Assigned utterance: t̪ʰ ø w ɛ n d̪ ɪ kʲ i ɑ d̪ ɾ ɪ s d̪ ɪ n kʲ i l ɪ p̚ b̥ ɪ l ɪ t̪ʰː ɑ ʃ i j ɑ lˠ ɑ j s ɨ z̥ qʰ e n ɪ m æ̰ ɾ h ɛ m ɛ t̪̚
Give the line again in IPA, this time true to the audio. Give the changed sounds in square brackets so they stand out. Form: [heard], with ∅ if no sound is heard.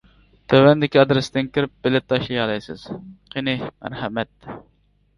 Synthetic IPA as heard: t̪ʰ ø w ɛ n d̪ ɪ kʲ i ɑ d̪ ɾ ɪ s d̪ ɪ n kʲ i [ɾ] ɪ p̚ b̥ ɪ l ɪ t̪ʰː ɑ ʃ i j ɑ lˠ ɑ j s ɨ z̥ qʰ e n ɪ m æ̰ ɾ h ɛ m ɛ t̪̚